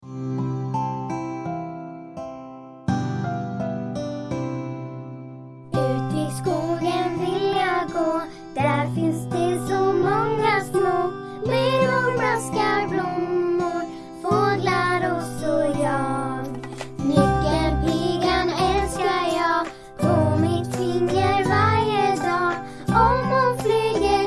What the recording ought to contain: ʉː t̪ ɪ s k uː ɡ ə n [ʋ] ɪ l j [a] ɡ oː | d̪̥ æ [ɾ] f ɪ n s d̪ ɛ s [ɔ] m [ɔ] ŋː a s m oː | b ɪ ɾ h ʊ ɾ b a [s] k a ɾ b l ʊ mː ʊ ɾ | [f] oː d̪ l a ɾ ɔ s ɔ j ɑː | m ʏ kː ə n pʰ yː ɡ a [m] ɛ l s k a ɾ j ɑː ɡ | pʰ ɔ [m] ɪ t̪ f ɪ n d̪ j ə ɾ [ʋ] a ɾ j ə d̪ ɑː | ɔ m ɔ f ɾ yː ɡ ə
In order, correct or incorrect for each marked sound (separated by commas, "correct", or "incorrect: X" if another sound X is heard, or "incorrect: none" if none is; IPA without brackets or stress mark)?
incorrect: v, correct, correct, correct, correct, correct, correct, incorrect: n, correct, incorrect: v